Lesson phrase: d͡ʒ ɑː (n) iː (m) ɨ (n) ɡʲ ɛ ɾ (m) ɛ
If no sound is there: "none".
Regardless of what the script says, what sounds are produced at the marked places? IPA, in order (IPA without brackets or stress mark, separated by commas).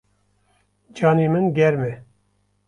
n, m, n, m